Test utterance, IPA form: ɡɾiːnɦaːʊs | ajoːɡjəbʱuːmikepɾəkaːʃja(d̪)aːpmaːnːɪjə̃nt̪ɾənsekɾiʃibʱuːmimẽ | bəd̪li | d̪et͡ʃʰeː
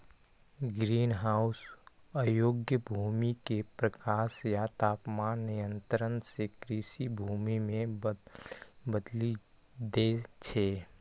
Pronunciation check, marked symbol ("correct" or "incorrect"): incorrect